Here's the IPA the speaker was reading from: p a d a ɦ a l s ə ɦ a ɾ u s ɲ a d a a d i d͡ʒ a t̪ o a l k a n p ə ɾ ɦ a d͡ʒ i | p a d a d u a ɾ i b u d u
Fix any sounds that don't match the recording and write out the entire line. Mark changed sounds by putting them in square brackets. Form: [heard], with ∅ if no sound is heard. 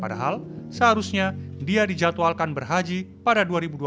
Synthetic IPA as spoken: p a d a ɦ a l s ə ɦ a ɾ u s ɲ a d [i] a d i d͡ʒ a t̪ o a l k a n [b] ə [r] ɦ a d͡ʒ i | p a d a d u a ɾ i b u d u